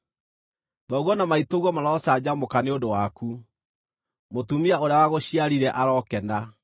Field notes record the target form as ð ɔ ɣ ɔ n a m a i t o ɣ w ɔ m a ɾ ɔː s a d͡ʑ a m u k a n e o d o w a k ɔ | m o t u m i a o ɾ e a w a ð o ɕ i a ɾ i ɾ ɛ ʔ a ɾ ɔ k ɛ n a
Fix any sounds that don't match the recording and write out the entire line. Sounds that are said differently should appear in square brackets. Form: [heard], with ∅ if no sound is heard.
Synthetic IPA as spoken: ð ɔ ɣ ɔ n a m a i t o ɣ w ɔ m a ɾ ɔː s a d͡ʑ a m [o] k a n e o d o w a k [u] | m o t u m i a o ɾ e a w a [ɣ] o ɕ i a ɾ i ɾ ɛ ʔ a ɾ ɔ k ɛ n a